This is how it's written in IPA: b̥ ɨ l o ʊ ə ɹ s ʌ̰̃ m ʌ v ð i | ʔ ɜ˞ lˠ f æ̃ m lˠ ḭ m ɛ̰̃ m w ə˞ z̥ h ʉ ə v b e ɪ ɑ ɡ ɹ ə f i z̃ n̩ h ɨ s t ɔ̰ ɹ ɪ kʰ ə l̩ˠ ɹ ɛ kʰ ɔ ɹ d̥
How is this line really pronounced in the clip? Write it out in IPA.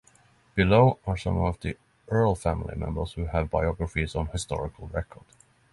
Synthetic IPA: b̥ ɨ l o ʊ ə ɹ s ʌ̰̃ m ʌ v ð i | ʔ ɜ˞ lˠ f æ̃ m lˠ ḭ m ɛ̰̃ m b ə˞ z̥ h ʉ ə v b a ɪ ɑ ɡ ɹ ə f i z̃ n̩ h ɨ s t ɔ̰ ɹ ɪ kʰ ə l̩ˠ ɹ ɛ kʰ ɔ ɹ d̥